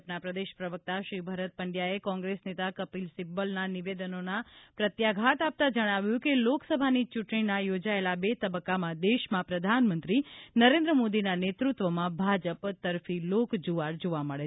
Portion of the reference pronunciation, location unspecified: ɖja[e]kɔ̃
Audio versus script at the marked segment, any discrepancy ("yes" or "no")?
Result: no